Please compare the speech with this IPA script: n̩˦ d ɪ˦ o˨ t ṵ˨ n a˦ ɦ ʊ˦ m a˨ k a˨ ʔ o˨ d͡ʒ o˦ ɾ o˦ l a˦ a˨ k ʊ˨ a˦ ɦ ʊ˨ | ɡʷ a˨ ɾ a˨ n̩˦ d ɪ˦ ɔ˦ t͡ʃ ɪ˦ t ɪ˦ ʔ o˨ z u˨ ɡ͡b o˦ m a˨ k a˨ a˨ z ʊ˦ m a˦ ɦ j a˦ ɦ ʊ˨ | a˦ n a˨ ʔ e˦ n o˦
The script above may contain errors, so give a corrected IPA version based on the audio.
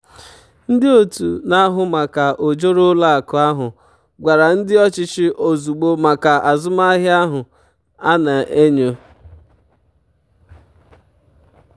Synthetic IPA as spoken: n̩˦ d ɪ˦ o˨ t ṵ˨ n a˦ ɦ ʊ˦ m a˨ k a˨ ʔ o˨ d͡ʒ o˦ ɾ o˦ l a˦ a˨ k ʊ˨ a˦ ɦ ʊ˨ | ɡʷ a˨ ɾ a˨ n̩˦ d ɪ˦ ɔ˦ t͡ʃ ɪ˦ t͡ʃ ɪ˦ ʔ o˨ z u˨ ɡ͡b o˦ m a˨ k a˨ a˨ z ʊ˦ m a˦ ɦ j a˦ ɦ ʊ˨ | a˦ n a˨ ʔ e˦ ɲ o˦